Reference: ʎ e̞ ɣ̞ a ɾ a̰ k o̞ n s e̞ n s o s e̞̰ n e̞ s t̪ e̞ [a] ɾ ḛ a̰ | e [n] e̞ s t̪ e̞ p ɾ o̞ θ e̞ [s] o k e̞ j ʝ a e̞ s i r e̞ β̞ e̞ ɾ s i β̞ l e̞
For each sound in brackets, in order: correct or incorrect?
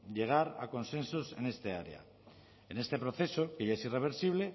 correct, correct, correct

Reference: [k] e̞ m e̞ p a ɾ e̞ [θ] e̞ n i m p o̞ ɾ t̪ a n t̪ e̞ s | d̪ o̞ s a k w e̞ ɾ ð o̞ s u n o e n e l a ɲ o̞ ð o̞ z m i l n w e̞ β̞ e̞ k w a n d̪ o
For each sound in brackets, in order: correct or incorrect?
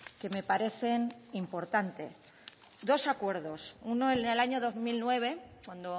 correct, correct

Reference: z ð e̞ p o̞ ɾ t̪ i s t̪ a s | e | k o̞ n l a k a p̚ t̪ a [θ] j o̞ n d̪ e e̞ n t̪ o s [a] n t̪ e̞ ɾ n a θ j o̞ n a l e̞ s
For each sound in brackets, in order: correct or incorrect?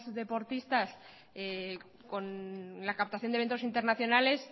correct, incorrect

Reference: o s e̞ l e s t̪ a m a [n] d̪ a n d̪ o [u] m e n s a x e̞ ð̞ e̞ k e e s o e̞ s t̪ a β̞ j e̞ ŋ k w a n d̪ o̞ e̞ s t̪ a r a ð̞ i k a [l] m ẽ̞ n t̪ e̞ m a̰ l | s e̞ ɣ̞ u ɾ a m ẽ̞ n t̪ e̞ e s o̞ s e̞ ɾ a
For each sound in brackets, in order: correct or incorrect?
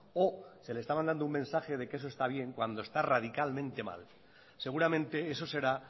correct, correct, correct

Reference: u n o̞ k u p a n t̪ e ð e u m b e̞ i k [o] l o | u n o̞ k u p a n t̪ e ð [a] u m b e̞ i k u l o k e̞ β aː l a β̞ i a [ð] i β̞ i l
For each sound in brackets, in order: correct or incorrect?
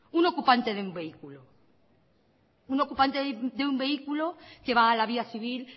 incorrect, incorrect, incorrect

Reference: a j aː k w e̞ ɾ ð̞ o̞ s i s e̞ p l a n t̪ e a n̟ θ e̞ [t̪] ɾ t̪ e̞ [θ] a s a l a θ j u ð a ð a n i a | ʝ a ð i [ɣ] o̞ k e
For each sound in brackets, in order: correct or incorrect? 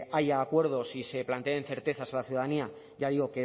incorrect, correct, correct

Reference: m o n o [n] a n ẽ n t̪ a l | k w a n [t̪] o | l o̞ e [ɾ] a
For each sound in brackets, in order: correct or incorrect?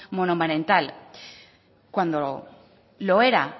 incorrect, incorrect, correct

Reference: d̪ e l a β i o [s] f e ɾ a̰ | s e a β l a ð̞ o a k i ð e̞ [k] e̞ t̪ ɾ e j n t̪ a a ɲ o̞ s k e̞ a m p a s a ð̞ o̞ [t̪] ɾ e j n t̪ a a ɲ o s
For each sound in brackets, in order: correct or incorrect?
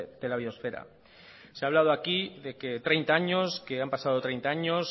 correct, correct, correct

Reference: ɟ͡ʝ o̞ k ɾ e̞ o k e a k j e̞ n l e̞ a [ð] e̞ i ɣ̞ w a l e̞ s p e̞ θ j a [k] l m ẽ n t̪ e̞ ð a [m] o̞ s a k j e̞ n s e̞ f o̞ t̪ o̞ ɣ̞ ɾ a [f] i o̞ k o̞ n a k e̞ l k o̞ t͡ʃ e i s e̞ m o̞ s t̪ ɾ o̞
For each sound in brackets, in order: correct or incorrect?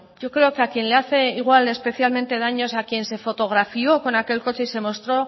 incorrect, incorrect, incorrect, correct

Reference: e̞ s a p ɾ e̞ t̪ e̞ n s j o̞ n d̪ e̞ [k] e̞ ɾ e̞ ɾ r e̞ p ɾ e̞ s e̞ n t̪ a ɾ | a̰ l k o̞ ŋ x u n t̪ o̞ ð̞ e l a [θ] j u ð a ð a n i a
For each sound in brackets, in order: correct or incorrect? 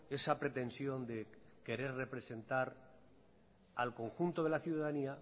correct, correct

